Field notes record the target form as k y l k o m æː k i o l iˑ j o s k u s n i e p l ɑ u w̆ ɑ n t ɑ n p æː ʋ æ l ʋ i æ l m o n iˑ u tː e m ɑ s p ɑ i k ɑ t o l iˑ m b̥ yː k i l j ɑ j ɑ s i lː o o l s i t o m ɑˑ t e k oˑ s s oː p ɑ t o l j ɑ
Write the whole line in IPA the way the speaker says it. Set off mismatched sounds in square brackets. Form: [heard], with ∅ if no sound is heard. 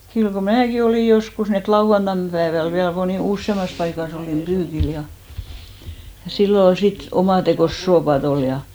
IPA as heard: k y l k o m æː k i o l iˑ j o s k u s n i e [t] l ɑ u w̆ ɑ n t ɑ n p æː ʋ æ l ʋ i æ l m o n iˑ u [sː] e m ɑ s p ɑ i k ɑ [s] o l iˑ m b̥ yː k i l j ɑ j ɑ s i lː o o l s i t o m ɑˑ t e k oˑ s s oː p ɑ t o l j ɑ